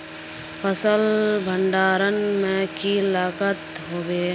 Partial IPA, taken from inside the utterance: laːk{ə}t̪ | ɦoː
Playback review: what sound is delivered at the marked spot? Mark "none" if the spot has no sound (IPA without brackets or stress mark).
ə